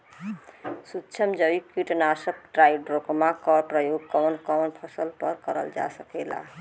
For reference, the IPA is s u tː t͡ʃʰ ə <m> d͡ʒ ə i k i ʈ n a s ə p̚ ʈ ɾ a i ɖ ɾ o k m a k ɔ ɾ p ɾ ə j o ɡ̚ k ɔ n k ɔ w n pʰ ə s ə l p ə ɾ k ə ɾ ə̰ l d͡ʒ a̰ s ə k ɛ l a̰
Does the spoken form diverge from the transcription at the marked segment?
no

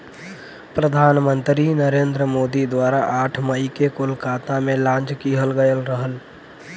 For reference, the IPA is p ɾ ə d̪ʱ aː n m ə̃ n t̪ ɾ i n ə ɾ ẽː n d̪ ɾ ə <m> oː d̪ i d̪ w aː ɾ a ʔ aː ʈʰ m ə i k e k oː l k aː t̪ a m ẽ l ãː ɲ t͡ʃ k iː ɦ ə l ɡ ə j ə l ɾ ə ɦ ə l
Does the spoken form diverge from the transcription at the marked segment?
no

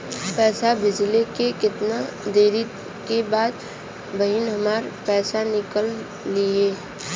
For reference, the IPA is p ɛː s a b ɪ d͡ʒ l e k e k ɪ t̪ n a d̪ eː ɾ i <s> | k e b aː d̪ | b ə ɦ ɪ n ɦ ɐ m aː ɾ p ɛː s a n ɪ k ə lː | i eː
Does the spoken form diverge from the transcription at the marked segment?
yes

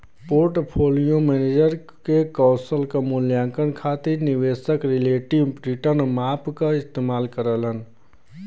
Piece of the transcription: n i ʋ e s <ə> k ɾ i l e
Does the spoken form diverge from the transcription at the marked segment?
no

